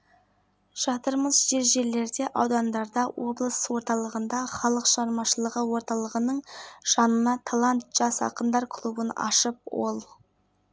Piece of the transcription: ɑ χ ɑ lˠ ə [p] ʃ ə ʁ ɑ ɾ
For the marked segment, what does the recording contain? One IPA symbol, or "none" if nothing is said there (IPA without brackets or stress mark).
q